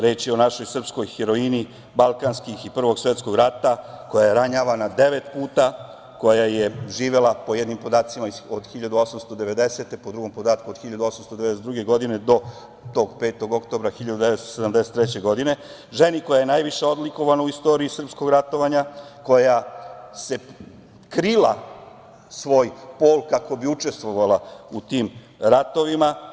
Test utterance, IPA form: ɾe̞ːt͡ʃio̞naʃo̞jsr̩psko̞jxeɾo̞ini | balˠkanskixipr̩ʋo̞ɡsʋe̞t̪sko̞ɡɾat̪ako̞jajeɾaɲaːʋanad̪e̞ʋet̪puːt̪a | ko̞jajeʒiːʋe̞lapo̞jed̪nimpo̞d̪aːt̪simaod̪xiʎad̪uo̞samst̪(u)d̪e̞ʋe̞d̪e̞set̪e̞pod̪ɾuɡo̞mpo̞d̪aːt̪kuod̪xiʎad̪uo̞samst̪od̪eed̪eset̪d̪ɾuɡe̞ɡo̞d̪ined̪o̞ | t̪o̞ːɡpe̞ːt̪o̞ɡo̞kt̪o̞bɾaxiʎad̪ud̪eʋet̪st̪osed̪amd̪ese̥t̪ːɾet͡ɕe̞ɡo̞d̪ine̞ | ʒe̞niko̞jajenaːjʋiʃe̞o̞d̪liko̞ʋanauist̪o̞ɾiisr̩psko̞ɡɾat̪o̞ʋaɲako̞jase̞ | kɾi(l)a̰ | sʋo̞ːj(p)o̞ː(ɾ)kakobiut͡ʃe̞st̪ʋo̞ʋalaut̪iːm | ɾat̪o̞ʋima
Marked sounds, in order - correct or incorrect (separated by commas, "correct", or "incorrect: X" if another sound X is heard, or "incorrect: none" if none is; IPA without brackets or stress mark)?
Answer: incorrect: o, correct, correct, incorrect: l